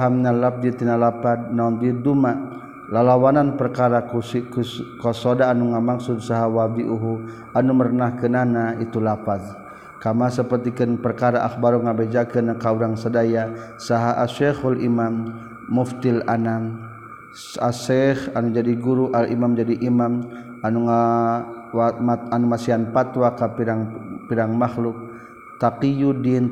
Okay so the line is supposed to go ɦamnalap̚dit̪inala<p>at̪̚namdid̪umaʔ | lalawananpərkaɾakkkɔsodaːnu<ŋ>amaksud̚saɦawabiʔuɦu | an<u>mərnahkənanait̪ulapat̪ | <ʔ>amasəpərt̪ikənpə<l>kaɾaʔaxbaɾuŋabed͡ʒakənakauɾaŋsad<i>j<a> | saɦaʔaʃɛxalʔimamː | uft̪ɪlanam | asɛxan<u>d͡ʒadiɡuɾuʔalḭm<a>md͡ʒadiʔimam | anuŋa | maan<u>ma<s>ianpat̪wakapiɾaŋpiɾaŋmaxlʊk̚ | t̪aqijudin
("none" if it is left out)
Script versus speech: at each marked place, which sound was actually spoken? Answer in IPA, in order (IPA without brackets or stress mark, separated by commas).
p, ŋ, u, k, r, a, a, u, a, u, s